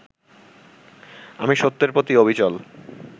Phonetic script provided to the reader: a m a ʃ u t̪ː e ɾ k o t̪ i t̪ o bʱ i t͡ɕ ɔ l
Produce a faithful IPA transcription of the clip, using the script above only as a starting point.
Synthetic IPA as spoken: a m i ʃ o t̪ː e ɾ p o t̪ i o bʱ i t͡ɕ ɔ l